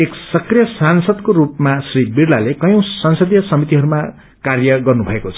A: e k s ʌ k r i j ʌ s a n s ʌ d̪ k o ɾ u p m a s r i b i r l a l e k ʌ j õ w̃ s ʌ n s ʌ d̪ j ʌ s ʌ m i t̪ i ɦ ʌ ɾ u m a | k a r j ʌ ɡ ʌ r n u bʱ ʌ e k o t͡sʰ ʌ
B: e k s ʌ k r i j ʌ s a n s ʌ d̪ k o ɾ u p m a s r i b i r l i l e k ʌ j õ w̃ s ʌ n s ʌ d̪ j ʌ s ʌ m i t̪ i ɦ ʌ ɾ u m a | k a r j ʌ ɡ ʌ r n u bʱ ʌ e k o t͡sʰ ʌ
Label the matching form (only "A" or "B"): A